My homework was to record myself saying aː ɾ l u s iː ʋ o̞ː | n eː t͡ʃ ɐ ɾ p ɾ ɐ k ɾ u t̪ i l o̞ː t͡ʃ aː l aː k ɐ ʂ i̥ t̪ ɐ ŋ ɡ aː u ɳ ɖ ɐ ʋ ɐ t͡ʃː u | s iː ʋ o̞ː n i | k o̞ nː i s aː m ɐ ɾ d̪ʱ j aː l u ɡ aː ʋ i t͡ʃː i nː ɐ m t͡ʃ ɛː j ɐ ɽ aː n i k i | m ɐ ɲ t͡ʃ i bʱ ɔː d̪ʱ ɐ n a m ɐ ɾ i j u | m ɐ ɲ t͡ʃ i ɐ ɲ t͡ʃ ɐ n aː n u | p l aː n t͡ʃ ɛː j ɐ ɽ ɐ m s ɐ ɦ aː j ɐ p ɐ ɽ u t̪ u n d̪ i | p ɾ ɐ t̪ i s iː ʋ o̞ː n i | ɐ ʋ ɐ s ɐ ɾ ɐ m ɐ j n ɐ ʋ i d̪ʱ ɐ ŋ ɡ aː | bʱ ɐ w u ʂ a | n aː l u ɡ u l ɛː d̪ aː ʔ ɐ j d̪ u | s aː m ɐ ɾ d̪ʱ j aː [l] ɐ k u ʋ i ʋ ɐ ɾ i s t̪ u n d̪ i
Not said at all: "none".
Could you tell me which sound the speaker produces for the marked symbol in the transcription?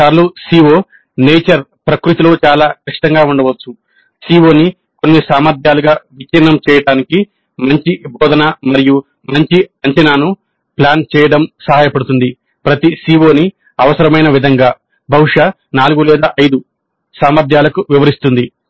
l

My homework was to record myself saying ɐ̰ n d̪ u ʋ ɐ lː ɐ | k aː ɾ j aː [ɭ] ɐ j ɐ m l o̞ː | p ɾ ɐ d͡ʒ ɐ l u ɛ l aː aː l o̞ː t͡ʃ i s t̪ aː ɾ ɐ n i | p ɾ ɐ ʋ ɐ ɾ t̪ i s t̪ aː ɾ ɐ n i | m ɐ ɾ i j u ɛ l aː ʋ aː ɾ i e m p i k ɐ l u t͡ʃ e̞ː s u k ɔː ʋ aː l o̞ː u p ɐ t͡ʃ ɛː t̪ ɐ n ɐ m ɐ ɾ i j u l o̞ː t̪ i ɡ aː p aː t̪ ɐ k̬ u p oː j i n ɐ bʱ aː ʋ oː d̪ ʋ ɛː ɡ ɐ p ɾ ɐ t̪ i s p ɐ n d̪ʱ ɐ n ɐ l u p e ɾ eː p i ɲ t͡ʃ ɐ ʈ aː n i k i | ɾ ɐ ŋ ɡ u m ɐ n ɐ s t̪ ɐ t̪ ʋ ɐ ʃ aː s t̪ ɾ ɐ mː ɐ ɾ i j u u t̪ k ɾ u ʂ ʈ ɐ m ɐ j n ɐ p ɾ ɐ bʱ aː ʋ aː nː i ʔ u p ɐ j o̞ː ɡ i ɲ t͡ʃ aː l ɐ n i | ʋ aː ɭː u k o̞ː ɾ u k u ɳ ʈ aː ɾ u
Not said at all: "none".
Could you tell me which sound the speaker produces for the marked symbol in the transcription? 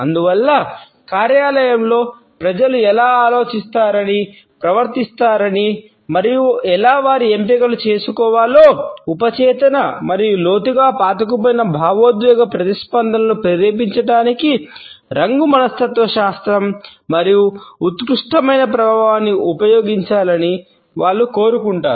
l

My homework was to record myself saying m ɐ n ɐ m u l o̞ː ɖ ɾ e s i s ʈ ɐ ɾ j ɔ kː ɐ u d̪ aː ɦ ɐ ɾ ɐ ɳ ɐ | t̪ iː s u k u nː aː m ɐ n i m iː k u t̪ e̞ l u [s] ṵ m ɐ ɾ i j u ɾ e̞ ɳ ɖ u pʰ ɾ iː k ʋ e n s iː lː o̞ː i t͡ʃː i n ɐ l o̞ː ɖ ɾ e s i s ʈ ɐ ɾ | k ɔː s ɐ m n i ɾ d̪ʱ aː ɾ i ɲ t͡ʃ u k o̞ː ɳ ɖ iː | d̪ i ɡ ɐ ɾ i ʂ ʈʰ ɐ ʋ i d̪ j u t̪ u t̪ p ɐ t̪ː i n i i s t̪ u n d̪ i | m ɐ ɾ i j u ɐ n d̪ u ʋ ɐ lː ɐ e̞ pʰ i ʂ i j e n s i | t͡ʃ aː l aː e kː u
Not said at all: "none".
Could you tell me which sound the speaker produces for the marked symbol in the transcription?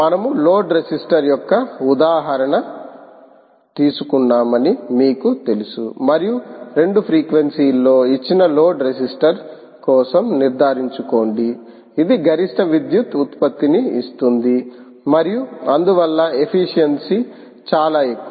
s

